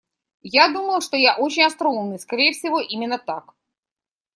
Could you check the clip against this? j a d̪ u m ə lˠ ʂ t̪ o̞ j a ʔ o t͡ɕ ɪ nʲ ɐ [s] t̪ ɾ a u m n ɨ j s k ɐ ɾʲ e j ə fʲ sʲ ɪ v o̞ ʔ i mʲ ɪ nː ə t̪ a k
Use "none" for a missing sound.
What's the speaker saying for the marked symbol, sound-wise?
s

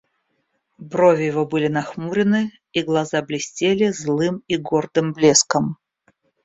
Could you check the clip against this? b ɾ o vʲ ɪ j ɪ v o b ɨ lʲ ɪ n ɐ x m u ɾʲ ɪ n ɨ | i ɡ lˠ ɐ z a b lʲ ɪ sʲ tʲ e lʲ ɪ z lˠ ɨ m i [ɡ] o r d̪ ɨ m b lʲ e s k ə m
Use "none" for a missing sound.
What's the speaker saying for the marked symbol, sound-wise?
ɡ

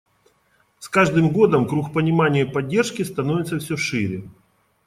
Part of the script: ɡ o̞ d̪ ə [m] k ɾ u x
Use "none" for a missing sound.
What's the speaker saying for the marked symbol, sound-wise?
m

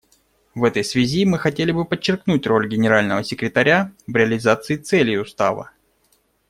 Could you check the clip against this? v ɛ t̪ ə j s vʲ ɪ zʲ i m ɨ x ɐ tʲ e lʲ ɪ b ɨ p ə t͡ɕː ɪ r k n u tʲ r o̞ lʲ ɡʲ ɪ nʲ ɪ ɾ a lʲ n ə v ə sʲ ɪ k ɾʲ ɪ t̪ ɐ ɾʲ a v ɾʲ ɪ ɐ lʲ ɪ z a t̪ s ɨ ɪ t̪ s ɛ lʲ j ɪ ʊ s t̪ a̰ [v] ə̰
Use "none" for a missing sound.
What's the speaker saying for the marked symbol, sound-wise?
v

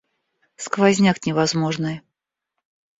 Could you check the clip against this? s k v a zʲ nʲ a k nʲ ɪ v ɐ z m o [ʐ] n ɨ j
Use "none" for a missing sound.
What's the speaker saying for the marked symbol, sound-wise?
ʐ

